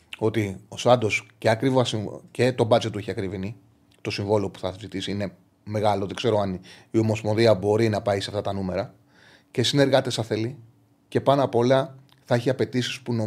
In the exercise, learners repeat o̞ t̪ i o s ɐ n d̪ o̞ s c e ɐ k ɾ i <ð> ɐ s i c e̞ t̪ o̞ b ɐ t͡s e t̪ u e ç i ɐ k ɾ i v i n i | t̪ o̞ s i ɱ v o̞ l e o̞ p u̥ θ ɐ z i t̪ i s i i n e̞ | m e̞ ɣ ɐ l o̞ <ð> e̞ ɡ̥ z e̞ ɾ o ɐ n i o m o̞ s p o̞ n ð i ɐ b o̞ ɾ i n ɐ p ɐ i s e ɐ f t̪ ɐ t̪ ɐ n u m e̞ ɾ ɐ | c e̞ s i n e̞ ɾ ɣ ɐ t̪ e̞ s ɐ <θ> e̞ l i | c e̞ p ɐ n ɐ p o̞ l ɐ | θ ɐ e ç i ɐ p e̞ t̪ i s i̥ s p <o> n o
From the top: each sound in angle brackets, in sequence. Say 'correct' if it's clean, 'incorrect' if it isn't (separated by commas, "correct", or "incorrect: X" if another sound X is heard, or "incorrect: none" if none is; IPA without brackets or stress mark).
incorrect: v, correct, correct, incorrect: u